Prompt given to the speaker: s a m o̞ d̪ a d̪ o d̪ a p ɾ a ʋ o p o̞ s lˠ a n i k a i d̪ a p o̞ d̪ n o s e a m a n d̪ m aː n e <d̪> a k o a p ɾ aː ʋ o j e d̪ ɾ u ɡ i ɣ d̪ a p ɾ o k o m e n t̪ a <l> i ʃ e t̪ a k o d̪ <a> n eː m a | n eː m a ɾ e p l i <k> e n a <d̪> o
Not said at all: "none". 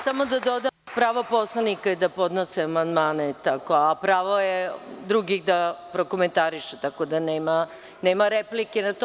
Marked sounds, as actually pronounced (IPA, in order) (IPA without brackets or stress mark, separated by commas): t̪, ɾ, a, k, t̪